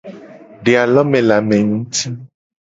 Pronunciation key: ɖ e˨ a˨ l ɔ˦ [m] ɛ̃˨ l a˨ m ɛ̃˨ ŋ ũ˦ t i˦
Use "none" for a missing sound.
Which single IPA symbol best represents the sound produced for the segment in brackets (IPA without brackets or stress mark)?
m